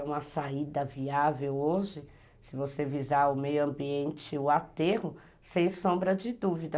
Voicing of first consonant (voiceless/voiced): voiced